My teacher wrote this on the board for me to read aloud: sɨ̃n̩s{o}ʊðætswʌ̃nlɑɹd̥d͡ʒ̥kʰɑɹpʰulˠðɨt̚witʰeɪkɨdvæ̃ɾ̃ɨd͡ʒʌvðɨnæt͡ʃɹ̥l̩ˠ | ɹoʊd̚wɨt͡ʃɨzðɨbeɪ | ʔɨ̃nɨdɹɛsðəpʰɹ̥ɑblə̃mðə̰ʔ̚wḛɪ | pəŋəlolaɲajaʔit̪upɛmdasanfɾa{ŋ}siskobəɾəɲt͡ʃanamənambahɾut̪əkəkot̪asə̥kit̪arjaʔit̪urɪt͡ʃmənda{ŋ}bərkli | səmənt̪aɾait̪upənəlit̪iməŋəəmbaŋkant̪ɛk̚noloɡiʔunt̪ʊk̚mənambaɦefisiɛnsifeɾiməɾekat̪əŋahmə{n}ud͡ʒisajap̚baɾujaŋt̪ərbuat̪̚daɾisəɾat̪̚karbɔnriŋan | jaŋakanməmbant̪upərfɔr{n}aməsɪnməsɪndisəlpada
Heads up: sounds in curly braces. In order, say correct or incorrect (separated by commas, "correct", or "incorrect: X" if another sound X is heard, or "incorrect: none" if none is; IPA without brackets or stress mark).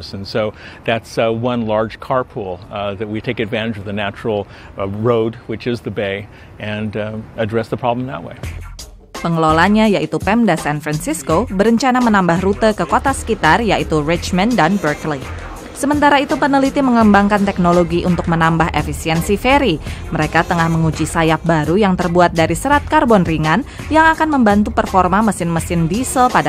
correct, incorrect: n, incorrect: n, incorrect: ŋ, incorrect: m